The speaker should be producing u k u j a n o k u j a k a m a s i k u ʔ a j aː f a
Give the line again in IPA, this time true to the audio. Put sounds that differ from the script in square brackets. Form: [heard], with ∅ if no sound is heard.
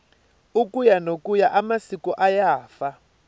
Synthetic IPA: u k u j a n o k u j a [ʔ] a m a s i k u ʔ a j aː f a